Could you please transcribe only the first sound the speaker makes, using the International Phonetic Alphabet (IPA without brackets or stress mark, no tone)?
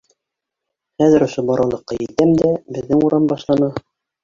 χ